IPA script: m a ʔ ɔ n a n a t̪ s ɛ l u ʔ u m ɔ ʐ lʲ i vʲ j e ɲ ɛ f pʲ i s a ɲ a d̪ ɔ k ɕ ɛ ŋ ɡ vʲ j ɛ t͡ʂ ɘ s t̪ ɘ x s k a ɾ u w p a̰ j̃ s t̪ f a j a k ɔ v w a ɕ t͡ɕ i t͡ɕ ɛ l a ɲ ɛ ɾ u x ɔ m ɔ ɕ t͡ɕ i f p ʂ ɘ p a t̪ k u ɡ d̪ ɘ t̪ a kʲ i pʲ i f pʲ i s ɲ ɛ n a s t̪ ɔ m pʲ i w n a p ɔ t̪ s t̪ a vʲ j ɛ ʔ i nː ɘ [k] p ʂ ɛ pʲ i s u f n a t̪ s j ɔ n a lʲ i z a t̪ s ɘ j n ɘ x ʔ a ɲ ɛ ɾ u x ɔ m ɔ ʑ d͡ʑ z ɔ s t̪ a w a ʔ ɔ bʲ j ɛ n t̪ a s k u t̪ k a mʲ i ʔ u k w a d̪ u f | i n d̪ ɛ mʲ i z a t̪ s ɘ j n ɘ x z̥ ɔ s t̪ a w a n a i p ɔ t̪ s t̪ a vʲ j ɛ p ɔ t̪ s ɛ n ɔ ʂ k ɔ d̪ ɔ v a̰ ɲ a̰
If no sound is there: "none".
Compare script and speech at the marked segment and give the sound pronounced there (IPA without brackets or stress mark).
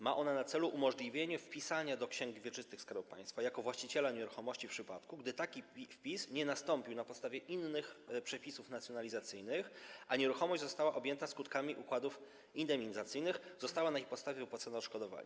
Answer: x